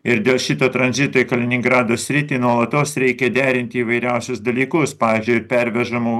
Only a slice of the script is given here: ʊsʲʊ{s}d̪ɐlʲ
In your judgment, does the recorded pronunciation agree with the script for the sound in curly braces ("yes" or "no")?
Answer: yes